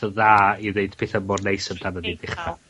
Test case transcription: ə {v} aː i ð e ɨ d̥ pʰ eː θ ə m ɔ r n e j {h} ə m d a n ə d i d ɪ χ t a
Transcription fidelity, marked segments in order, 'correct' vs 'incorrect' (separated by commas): incorrect, incorrect